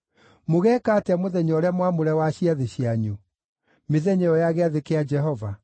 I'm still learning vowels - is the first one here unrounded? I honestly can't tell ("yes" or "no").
no